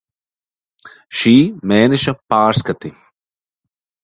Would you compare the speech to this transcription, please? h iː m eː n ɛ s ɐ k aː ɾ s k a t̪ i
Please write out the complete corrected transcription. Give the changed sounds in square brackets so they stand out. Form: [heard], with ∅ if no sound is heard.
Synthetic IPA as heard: [ʃ] iː m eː n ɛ [ʃ] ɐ [p] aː ɾ s k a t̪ i